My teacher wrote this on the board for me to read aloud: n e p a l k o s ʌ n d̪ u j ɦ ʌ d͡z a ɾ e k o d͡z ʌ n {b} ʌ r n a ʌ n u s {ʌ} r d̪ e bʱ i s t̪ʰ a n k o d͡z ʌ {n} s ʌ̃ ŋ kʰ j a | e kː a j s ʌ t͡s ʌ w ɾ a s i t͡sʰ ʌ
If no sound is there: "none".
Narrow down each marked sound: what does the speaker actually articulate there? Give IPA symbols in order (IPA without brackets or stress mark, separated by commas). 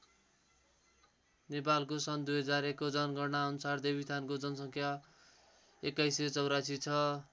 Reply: ɡ, a, n